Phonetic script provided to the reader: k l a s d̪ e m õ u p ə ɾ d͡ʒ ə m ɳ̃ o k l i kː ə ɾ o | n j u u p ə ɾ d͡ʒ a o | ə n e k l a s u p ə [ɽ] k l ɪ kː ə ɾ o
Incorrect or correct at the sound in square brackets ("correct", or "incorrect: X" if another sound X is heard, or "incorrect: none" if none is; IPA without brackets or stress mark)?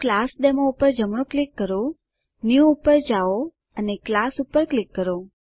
incorrect: ɾ